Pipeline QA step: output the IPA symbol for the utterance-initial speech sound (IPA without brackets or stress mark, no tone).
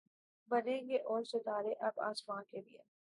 b